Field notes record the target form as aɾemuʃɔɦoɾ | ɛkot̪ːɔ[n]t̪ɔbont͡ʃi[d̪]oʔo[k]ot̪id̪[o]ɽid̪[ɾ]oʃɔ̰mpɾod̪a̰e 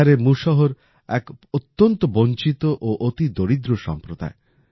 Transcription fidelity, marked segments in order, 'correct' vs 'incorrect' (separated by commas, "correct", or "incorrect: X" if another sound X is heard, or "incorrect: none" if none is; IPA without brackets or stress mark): correct, incorrect: t̪, incorrect: ʔ, correct, correct